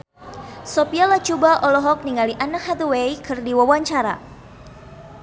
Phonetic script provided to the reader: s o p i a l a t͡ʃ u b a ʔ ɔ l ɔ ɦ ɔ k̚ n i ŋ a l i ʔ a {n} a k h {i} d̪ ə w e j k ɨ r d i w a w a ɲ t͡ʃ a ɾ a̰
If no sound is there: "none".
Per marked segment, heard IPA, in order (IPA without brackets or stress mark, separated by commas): n, a